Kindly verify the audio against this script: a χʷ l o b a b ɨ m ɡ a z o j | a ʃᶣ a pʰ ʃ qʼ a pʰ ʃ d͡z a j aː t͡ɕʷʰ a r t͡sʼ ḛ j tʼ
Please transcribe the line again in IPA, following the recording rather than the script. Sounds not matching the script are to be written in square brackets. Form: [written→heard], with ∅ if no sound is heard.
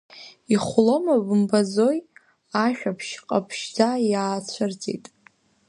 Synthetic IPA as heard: [a→i] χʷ l o [b→m] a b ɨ m [ɡ→b] a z o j | a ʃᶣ a pʰ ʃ qʼ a pʰ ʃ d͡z a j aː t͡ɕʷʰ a r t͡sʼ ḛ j tʼ